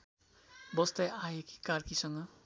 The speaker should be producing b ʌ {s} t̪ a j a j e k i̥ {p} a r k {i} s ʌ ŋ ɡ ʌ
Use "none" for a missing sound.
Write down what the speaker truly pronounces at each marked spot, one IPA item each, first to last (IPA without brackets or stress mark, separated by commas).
s, k, i